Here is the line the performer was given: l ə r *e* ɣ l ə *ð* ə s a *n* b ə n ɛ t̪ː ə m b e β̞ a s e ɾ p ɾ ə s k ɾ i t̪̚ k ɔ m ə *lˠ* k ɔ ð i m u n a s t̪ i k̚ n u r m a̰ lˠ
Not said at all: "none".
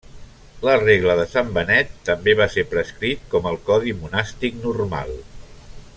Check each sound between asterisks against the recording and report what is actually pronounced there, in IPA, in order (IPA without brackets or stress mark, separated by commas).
e, ð, m, lˠ